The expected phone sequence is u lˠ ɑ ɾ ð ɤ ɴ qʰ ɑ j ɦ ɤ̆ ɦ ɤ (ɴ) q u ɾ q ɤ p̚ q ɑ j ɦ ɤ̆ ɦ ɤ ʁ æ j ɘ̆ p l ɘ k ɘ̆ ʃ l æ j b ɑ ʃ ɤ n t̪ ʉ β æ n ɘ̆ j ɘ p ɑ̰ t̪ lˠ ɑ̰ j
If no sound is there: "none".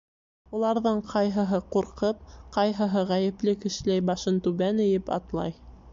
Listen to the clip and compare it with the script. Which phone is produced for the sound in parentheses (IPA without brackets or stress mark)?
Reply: none